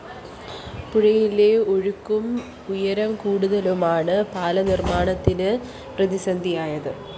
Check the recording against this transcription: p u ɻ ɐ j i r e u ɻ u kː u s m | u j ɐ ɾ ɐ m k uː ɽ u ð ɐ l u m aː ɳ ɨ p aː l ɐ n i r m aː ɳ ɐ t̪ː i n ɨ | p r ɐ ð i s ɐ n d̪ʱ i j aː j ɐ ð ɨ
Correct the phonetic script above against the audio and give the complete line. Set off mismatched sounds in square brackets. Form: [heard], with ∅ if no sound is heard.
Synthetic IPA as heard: p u ɻ ɐ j i [l] e [o] ɻ u kː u [∅] m | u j ɐ ɾ ɐ m k uː ɽ u ð ɐ l u m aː ɳ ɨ p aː l ɐ n i r m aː ɳ ɐ t̪ː i n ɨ | p r ɐ ð i s ɐ n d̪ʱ i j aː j ɐ ð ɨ

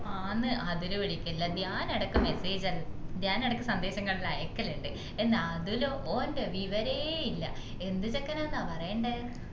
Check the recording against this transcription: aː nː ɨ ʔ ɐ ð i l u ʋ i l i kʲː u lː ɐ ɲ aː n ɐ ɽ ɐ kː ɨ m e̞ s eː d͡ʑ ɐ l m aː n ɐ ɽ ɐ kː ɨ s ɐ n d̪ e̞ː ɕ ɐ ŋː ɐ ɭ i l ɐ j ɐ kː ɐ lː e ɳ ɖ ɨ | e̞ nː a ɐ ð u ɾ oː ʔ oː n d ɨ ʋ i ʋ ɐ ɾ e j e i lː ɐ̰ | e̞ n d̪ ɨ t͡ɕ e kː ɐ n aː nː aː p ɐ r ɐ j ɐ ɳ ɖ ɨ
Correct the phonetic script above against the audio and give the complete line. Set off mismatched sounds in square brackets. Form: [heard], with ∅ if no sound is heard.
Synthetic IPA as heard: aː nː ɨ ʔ ɐ ð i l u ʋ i [ɽ] i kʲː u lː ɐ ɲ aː n ɐ ɽ ɐ kː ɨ m e̞ s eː d͡ʑ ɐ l [ɲ] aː n ɐ ɽ ɐ kː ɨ s ɐ n d̪ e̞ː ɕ ɐ ŋː ɐ ɭ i l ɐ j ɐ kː ɐ [l] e ɳ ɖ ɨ | e̞ nː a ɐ ð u [l] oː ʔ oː n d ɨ ʋ i ʋ ɐ ɾ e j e i lː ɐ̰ | e̞ n d̪ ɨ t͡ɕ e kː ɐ n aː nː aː p ɐ r ɐ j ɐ ɳ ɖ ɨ

